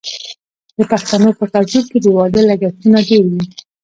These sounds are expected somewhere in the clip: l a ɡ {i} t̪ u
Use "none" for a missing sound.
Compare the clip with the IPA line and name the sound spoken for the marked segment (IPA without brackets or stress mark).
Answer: a